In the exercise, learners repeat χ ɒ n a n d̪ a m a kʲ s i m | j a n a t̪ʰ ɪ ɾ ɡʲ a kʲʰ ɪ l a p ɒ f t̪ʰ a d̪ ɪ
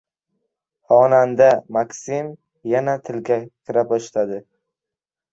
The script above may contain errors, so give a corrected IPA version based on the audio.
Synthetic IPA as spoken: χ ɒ n a n d̪ a m a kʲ s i m | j a n a t̪ʰ ɪ l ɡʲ a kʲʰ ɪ ɾ a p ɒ ʃ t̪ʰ a d̪ ɪ